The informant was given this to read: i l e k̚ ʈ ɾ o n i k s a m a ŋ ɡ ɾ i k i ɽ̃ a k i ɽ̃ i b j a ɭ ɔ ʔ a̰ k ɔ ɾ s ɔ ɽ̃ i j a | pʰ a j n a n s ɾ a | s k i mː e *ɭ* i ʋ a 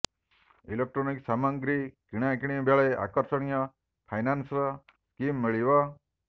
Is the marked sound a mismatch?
no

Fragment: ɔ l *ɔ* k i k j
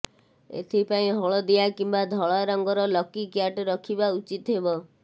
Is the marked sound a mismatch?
no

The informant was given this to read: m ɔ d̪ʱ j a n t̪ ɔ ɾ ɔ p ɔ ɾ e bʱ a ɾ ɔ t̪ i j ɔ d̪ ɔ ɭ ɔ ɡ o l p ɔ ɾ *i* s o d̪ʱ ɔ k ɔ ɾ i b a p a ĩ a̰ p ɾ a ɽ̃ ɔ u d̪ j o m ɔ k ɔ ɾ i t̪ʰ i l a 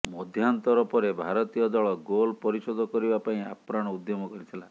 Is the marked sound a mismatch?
no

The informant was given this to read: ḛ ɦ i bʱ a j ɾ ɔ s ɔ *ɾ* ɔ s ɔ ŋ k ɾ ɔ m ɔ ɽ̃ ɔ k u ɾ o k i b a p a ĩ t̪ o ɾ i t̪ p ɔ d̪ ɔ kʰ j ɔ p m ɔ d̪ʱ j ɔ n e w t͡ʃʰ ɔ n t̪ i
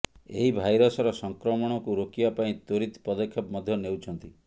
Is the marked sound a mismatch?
no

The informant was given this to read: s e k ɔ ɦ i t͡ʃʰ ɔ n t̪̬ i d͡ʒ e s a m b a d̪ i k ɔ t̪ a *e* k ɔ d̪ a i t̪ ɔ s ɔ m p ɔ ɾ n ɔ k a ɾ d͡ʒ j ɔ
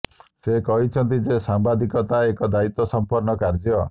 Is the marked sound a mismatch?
no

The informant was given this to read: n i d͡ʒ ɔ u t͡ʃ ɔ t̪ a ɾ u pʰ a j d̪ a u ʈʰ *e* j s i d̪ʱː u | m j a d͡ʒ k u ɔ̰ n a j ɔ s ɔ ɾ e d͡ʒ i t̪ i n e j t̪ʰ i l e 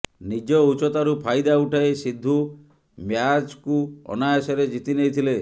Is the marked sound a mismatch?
yes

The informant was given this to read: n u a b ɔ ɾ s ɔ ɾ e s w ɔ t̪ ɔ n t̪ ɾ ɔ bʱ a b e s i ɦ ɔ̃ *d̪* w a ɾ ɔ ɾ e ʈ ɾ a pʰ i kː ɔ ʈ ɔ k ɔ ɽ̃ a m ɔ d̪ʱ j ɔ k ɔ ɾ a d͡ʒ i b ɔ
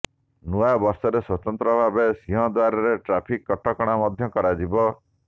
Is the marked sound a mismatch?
no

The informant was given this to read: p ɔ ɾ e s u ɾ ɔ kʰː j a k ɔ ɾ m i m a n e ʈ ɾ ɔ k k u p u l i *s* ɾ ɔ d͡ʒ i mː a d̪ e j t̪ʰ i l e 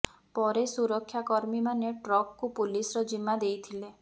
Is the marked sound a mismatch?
no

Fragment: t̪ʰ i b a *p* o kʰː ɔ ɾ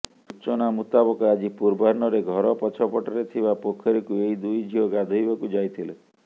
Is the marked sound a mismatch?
no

